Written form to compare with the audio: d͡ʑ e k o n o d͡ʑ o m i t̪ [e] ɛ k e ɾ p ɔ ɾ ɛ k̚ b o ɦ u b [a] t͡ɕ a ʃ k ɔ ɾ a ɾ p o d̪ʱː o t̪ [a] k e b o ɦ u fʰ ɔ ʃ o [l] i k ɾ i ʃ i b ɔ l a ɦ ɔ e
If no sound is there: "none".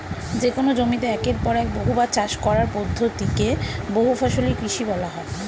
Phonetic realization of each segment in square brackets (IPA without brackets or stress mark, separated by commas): e, a, i, l